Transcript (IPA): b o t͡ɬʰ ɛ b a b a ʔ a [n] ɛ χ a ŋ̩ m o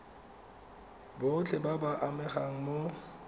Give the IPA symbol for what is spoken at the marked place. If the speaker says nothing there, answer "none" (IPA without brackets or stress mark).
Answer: m